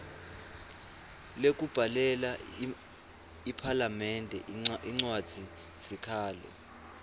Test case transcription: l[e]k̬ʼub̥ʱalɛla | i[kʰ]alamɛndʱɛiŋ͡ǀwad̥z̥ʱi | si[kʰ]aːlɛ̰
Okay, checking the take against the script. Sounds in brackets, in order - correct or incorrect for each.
correct, incorrect, correct

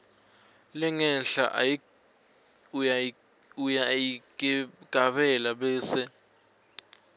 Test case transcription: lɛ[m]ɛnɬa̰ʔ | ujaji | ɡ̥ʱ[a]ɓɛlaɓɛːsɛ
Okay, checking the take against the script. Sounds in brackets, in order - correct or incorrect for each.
incorrect, correct

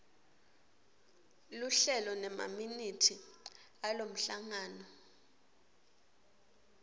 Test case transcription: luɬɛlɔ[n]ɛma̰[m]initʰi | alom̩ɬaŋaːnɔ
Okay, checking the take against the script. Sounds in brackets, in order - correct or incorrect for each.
correct, correct

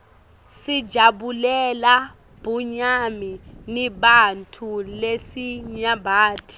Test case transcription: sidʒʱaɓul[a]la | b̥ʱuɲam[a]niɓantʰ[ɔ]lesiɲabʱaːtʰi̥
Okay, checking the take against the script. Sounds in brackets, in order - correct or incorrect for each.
incorrect, incorrect, incorrect

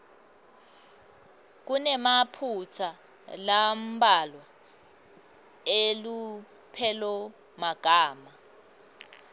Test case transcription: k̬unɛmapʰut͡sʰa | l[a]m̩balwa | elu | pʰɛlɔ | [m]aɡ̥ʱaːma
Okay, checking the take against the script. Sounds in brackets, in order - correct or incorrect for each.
correct, correct

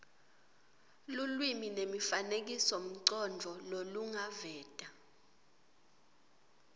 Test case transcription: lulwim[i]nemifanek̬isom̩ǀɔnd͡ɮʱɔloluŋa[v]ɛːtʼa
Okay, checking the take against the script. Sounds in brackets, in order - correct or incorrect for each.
correct, correct

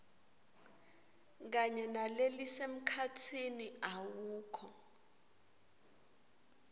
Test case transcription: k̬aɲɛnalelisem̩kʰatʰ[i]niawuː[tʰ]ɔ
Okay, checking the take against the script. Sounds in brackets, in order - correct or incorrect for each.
correct, incorrect

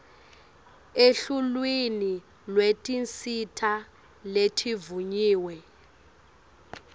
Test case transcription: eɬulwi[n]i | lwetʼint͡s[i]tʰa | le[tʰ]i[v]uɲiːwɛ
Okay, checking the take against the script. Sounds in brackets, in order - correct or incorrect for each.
correct, correct, correct, correct

